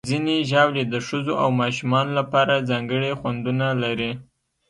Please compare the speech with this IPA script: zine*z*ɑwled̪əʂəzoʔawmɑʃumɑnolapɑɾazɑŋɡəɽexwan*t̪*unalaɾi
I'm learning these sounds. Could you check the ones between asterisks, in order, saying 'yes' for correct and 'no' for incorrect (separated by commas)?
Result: no, no